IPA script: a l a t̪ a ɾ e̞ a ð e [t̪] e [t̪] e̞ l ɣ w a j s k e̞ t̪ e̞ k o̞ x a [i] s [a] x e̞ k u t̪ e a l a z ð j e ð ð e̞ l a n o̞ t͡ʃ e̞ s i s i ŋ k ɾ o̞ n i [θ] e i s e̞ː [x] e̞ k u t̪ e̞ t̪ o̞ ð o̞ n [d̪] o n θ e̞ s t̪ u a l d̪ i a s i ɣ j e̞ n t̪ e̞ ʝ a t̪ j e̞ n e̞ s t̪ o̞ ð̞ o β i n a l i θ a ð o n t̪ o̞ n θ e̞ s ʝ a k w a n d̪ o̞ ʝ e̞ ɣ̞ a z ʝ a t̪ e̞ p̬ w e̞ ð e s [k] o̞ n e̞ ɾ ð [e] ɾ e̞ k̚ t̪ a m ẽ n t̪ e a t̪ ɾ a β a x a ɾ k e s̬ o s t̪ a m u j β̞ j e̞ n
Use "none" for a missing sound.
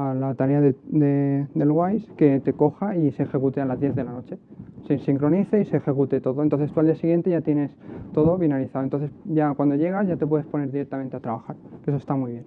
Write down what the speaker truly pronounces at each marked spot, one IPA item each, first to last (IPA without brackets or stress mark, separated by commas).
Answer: d̪, d̪, i, e, θ, x, t̪, p, i